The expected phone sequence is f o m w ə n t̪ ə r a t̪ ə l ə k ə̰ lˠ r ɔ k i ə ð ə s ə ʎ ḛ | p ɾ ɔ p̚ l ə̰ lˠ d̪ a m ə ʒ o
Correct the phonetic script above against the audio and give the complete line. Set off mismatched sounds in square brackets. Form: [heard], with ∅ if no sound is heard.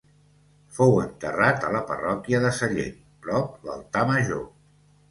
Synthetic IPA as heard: f o [∅] w ə n t̪ ə r a t̪ ə l ə [p] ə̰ [∅] r ɔ k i ə ð ə s ə ʎ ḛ | p ɾ ɔ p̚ l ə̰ lˠ [t̪] a m ə ʒ o